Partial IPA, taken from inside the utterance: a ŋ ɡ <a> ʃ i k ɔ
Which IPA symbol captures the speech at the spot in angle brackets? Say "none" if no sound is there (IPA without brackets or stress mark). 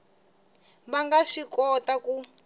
a